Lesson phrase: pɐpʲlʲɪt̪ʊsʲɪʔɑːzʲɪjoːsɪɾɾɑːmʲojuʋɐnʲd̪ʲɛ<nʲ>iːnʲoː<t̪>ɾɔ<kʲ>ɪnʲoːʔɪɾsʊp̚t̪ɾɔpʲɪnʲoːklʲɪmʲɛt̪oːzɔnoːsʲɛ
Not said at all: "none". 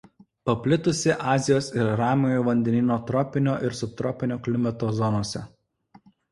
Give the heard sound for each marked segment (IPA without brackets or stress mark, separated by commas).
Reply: nʲ, t̪, pʲ